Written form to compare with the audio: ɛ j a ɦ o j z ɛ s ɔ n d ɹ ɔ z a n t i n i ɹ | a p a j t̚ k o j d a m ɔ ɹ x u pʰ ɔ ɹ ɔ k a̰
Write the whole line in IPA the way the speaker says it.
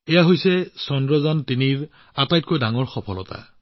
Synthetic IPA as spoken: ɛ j a ɦ o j s ɛ s ɔ n d ɹ ɔ z a n t i n i ɹ | a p a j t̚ k o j d a ŋ ɔ ɹ x ɔ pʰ ɔ l ɔ t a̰